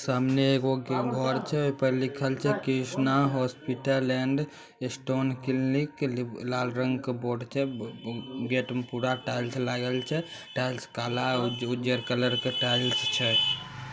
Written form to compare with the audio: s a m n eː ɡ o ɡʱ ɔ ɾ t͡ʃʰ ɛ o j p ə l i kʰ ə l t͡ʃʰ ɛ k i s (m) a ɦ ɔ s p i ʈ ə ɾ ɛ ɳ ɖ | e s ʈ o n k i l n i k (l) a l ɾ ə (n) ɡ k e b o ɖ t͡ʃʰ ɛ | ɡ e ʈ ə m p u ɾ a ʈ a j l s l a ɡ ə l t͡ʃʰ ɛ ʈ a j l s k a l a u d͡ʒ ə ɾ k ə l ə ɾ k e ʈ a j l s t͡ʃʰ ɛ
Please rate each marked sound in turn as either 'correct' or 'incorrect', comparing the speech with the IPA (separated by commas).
incorrect, correct, incorrect